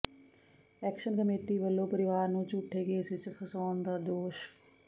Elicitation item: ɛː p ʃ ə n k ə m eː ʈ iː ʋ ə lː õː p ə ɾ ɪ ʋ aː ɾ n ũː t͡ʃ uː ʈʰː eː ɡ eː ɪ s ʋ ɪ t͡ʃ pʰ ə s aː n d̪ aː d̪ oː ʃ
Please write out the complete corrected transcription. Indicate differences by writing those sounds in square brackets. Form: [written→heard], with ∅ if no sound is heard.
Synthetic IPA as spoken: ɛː [p→k] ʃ ə n k ə m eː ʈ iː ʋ ə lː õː p ə ɾ ɪ ʋ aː ɾ n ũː t͡ʃ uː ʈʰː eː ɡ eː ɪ s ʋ ɪ t͡ʃ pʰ ə s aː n d̪ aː d̪ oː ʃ

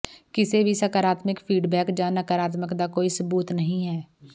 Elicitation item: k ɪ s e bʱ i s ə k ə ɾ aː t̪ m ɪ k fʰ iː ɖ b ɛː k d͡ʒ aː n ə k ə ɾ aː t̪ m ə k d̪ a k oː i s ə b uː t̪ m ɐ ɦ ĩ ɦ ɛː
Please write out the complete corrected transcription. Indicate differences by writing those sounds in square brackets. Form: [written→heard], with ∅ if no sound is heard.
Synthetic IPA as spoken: k ɪ s e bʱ i s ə k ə ɾ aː t̪ m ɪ k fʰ iː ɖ b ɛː k d͡ʒ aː n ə k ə ɾ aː t̪ m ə k d̪ a k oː i s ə b uː t̪ [m→n] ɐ ɦ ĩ ɦ ɛː

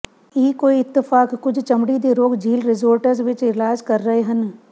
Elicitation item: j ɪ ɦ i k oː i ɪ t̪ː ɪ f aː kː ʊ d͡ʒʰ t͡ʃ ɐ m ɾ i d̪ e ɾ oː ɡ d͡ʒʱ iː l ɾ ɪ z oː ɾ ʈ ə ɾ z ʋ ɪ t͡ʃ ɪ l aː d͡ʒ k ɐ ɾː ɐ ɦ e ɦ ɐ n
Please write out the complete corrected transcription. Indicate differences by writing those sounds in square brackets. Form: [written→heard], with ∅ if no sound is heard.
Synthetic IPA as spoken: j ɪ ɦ i k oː i ɪ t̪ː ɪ f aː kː ʊ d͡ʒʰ t͡ʃ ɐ m [ɾ→ɽ] i d̪ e ɾ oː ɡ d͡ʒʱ iː l ɾ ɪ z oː ɾ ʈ ə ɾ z ʋ ɪ t͡ʃ ɪ l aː d͡ʒ k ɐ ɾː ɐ ɦ e ɦ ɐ n

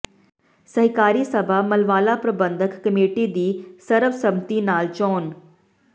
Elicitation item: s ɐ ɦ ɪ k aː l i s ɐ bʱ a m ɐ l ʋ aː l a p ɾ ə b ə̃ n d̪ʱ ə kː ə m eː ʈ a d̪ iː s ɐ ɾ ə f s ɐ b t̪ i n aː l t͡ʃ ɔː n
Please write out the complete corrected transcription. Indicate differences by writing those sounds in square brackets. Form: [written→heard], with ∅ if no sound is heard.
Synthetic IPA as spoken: s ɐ ɦ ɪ k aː [l→ɾ] i s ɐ bʱ a m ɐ l ʋ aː l a p ɾ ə b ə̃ n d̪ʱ ə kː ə m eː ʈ [a→i] d̪ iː s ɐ ɾ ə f s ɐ b t̪ i n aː l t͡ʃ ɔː n

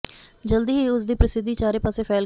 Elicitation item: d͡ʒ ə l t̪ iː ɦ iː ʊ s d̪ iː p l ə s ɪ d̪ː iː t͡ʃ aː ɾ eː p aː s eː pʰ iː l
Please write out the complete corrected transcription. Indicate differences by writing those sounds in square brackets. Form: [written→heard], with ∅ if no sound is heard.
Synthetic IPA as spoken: d͡ʒ ə l [t̪→d̪] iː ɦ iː ʊ s d̪ iː p [l→ɾ] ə s ɪ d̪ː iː t͡ʃ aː ɾ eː p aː s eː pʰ [iː→ɛː] l

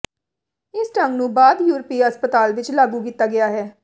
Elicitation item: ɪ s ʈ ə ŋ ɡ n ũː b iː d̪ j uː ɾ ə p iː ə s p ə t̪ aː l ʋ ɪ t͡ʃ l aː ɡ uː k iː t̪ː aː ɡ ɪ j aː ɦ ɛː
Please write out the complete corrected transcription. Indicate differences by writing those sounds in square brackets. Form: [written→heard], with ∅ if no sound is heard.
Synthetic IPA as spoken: ɪ s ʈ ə ŋ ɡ n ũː b [iː→aː] d̪ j uː ɾ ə p iː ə s p ə t̪ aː l ʋ ɪ t͡ʃ l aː ɡ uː k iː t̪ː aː ɡ ɪ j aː ɦ ɛː

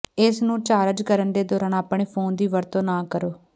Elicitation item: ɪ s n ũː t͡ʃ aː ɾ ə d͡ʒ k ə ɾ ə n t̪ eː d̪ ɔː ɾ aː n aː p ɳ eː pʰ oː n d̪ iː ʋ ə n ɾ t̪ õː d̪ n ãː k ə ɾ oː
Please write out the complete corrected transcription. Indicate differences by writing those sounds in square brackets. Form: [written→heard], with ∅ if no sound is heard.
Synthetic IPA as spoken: ɪ s n ũː t͡ʃ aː ɾ ə d͡ʒ k ə ɾ ə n [t̪→d̪] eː d̪ ɔː ɾ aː n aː p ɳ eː pʰ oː n d̪ iː ʋ ə [n→∅] ɾ t̪ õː [d̪→∅] n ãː k ə ɾ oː

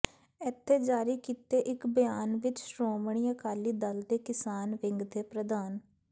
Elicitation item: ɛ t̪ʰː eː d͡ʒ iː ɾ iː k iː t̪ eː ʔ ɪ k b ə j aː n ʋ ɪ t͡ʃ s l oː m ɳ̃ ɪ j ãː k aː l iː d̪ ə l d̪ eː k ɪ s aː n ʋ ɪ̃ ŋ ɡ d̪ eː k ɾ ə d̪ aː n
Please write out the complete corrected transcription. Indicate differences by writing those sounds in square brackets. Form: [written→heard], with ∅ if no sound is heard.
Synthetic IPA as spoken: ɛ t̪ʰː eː d͡ʒ [iː→aː] ɾ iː k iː t̪ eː ʔ ɪ k b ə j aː n ʋ ɪ t͡ʃ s [l→ɾ] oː m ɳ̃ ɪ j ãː k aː l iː d̪ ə l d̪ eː k ɪ s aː n ʋ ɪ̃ ŋ ɡ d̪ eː [k→p] ɾ ə d̪ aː n

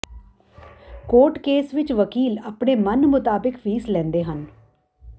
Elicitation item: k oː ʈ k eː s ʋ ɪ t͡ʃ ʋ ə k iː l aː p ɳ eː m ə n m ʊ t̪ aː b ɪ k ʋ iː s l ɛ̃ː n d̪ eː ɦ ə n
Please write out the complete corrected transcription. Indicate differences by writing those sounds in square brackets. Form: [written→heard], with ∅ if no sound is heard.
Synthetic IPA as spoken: k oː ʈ k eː s ʋ ɪ t͡ʃ ʋ ə k iː l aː p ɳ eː m ə n m ʊ t̪ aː b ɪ k ʋ iː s l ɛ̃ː n d̪ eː ɦ ə n

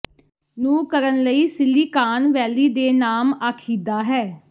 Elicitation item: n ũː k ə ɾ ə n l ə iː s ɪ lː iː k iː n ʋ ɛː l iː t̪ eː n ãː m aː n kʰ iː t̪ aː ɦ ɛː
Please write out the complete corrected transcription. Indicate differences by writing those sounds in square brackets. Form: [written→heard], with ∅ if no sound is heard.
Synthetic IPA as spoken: n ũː k ə ɾ ə n l ə iː s ɪ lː iː k [iː→aː] n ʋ ɛː l iː [t̪→d̪] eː n [ãː→aː] m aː [n→∅] kʰ iː [t̪→d̪] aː ɦ ɛː

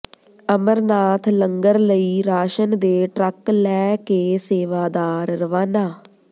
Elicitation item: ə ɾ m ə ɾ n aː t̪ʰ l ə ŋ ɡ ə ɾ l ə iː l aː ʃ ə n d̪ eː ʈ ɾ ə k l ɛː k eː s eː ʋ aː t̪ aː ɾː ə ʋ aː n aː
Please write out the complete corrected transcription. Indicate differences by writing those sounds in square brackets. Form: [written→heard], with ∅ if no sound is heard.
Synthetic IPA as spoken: ə [ɾ→∅] m ə ɾ n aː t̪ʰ l ə ŋ ɡ ə ɾ l ə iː [l→ɾ] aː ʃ ə n d̪ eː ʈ ɾ ə k l ɛː k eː s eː ʋ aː [t̪→d̪] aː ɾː ə ʋ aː n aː

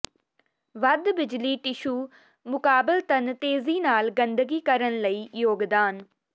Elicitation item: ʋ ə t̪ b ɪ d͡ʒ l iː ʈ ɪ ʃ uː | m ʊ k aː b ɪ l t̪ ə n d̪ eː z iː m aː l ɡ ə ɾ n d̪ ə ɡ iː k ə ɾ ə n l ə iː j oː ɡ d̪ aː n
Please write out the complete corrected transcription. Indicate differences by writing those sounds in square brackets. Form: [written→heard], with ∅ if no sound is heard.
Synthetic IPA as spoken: ʋ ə [t̪→d̪] b ɪ d͡ʒ l iː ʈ ɪ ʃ uː | m ʊ k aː b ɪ l t̪ ə n [d̪→t̪] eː z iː [m→n] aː l ɡ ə [ɾ→∅] n d̪ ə ɡ iː k ə ɾ ə n l ə iː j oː ɡ d̪ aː n

